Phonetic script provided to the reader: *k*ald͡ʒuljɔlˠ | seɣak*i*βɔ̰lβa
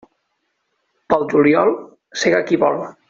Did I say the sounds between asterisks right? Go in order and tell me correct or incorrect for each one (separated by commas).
incorrect, correct